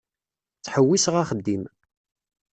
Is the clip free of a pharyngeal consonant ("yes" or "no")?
no